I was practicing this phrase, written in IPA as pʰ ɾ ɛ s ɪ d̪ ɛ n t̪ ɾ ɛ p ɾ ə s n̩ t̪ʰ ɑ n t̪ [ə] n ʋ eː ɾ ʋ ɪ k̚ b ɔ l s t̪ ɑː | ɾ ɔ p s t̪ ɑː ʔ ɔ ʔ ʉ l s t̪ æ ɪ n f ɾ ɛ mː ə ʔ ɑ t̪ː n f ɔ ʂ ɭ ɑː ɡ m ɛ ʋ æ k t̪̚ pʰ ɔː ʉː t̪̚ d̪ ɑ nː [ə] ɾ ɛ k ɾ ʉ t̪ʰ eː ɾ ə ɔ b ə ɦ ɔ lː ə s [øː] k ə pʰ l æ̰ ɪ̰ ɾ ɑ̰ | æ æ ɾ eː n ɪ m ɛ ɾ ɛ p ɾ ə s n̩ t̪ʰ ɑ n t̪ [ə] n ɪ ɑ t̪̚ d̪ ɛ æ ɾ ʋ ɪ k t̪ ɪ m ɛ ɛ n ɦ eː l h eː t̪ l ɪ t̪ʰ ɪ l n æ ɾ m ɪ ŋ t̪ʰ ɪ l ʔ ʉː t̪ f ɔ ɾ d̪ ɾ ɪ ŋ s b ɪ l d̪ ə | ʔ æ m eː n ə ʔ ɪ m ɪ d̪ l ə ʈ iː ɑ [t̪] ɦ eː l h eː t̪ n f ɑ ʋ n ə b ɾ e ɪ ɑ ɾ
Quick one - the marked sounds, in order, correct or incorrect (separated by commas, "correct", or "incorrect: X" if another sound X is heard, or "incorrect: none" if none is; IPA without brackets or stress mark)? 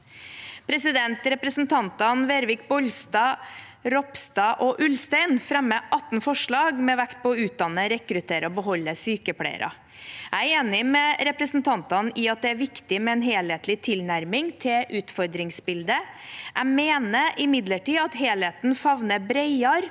incorrect: ɑ, correct, incorrect: yː, incorrect: ɑ, correct